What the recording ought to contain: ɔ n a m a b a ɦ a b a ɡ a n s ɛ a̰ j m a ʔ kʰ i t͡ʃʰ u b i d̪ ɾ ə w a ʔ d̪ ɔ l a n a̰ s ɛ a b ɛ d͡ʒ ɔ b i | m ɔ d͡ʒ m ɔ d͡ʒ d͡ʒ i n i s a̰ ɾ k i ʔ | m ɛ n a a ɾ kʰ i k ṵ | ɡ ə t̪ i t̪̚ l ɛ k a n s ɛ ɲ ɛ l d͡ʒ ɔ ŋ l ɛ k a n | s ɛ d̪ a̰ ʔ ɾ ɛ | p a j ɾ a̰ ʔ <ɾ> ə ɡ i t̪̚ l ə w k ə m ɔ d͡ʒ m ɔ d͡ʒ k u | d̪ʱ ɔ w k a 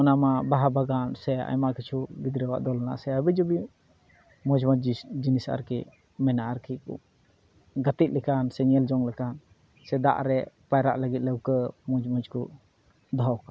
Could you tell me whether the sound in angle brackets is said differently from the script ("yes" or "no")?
yes